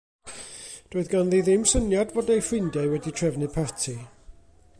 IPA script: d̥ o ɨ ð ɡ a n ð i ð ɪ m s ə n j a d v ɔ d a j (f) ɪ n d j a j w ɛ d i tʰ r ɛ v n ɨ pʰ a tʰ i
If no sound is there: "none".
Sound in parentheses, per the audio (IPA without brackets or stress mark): f